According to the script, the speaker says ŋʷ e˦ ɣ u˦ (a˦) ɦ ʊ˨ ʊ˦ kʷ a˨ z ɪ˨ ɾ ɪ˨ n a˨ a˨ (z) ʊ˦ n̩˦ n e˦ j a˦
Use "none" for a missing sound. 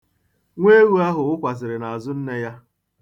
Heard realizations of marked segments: a˦, z

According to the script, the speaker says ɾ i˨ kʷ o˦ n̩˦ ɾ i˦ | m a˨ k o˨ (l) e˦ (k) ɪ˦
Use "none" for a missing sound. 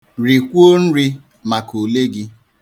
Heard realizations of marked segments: l, ɡ

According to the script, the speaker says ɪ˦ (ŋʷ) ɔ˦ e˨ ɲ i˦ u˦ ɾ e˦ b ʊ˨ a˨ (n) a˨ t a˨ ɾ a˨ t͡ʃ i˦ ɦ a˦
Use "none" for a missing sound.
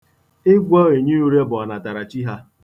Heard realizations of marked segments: ɡʷ, n

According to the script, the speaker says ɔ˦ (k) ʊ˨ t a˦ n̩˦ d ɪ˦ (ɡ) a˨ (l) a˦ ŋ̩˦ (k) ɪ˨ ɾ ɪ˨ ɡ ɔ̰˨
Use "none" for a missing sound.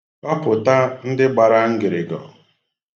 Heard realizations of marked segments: p, ɡ͡b, ɾ, ɡ

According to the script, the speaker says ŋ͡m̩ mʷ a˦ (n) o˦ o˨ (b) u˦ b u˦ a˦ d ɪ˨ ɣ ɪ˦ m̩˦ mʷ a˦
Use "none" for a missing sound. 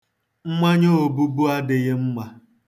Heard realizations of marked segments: ɲ, b

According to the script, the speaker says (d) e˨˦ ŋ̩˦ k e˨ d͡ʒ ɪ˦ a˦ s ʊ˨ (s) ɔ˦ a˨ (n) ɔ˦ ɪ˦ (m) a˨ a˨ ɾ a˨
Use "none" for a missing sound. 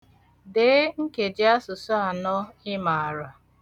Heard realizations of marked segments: d, s, n, m

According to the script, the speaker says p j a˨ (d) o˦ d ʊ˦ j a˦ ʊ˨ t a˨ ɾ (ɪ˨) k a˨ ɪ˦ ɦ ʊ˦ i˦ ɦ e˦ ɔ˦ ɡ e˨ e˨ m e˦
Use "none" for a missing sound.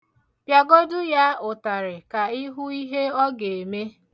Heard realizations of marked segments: ɡ, ɪ˨

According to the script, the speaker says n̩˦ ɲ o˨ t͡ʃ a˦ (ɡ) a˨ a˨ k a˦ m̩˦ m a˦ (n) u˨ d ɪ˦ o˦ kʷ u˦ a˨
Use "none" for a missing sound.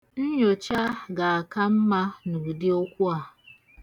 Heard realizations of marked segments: ɡ, n

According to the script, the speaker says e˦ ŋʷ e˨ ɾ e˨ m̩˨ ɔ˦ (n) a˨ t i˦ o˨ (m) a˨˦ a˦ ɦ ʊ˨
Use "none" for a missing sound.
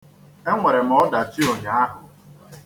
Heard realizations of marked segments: d, ɲ

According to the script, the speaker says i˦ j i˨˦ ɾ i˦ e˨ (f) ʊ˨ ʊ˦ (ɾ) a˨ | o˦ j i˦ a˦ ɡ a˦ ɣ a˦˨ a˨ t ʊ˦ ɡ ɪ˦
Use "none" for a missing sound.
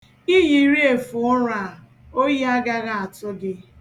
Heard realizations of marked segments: f, ɾ

